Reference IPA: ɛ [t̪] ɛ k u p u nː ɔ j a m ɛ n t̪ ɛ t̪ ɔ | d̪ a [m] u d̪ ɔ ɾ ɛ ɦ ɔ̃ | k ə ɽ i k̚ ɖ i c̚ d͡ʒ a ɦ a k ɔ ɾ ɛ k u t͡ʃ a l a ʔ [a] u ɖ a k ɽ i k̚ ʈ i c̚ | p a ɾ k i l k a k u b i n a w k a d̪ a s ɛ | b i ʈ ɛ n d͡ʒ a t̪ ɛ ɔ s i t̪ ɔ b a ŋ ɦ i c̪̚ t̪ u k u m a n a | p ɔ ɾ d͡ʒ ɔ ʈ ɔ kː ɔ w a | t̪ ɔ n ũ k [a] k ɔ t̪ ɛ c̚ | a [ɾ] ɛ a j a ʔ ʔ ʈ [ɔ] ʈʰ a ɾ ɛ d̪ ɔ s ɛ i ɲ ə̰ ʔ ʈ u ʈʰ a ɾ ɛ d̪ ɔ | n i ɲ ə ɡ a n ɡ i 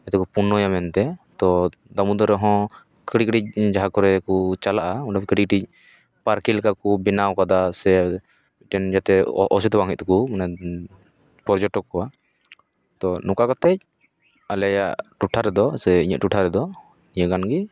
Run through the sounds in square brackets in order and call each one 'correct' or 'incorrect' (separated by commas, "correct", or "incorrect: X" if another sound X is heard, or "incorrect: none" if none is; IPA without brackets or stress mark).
correct, correct, correct, correct, incorrect: l, incorrect: u